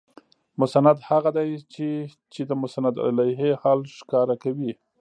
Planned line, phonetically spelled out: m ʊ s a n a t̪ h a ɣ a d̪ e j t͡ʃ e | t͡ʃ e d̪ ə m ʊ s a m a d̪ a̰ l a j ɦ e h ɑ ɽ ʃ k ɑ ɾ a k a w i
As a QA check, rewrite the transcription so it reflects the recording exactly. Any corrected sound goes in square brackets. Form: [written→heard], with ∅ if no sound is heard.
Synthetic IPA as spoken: m ʊ s a n a [t̪→d̪] h a ɣ a d̪ [e→a] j t͡ʃ e | t͡ʃ e d̪ ə m ʊ s a [m→n] a d̪ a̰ l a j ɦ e h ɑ [ɽ→l] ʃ k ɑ ɾ a k a w i